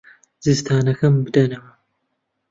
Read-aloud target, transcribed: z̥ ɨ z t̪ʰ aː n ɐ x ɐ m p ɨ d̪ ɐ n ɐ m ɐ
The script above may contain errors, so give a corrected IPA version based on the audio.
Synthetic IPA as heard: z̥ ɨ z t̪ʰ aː n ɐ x ɐ m b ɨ d̪ ɐ n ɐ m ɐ

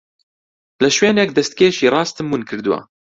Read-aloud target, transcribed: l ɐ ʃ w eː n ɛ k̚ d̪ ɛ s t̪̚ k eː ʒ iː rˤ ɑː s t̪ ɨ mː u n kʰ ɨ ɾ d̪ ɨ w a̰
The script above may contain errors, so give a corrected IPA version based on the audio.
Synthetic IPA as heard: l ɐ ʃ w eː n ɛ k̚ d̪ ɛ s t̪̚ k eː ʃ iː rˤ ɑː s t̪ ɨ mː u n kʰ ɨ ɾ d̪ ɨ w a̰

